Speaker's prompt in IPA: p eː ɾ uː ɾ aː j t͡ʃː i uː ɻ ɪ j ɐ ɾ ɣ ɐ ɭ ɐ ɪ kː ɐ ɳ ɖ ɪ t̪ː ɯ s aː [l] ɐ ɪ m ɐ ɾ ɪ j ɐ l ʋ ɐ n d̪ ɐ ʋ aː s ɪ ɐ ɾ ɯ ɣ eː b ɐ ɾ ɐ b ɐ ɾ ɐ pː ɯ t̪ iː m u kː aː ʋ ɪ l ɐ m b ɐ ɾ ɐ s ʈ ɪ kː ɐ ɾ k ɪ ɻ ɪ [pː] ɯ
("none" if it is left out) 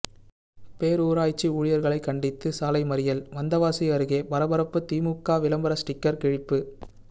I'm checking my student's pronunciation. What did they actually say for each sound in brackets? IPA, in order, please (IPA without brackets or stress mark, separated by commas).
l, pː